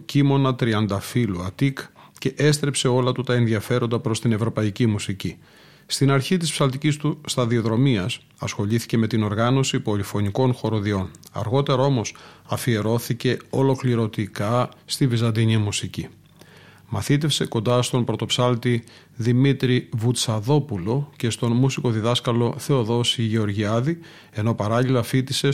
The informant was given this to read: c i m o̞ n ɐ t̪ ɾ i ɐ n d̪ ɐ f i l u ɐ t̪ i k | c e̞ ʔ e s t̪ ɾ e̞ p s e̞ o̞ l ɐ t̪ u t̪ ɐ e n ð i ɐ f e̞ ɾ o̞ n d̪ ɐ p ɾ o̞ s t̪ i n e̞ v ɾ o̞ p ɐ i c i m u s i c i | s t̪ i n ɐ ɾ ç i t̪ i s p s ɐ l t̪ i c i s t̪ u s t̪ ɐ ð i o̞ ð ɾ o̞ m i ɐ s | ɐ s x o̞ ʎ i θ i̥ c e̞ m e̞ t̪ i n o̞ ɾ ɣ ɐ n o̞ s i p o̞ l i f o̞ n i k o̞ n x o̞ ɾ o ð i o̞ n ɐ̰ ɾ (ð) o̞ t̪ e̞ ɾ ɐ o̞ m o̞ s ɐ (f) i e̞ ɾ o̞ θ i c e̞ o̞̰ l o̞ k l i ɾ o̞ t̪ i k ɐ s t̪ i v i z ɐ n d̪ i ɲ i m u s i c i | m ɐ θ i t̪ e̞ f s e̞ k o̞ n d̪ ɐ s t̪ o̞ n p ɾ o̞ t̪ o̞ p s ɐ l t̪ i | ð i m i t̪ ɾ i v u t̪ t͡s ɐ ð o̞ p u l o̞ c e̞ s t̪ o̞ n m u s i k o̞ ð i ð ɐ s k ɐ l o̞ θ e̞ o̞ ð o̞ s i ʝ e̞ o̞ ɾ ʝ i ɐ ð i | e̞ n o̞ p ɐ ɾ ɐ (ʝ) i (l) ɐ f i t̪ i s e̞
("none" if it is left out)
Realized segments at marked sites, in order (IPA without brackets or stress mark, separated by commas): ɣ, f, ʎ, l